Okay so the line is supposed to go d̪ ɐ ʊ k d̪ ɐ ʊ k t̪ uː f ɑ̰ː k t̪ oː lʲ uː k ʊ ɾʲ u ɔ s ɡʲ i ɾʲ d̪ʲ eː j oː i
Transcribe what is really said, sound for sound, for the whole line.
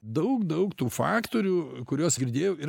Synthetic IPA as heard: d̪ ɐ ʊ k d̪ ɐ ʊ k t̪ uː f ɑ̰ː k t̪ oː ɾʲ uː k ʊ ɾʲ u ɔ s ɡʲ ɪ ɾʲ d̪ʲ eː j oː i